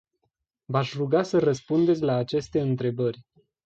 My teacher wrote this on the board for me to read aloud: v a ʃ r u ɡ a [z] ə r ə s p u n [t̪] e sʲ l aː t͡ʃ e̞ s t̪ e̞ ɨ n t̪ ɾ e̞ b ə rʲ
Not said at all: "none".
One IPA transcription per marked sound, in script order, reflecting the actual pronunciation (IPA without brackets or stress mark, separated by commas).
s, d̪